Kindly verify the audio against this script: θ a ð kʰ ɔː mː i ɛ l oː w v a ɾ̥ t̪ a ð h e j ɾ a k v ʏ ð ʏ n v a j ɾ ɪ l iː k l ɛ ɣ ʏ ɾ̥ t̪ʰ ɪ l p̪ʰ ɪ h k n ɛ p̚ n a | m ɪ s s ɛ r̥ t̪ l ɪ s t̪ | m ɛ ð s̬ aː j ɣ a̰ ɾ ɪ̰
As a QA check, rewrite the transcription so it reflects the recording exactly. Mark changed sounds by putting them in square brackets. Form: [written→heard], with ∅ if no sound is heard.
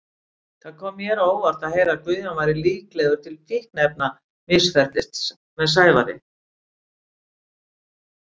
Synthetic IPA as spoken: θ a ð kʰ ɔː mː [i→j] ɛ [l→ɾ] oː w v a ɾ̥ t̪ a ð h e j ɾ a k v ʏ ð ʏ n v a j ɾ ɪ l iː k l ɛ ɣ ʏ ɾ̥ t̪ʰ ɪ l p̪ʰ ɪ h k n ɛ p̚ n a | m ɪ s [s→f] ɛ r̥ t̪ l ɪ s t̪ | m ɛ ð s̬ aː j [ɣ→v] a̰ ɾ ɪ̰